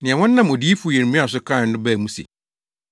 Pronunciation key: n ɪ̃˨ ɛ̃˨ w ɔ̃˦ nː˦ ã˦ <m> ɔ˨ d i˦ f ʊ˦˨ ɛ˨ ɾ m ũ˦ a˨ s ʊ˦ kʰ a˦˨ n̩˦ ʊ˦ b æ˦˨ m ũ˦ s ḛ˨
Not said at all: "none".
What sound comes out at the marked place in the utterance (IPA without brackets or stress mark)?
m